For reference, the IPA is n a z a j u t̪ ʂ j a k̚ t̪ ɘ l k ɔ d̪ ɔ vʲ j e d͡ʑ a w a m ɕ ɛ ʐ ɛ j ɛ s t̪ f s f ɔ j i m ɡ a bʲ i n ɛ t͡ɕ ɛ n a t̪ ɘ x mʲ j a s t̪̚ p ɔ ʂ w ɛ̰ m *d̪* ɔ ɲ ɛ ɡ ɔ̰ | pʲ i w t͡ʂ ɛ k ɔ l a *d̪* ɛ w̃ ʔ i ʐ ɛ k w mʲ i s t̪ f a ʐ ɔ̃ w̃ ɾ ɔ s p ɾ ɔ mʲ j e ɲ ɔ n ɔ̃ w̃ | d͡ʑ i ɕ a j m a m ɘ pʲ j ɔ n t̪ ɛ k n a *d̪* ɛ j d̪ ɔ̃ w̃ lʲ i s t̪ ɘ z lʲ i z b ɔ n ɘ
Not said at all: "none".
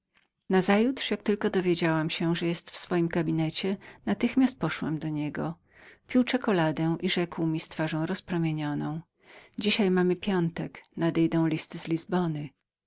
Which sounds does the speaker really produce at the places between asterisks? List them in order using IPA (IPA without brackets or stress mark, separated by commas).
d̪, d̪, d̪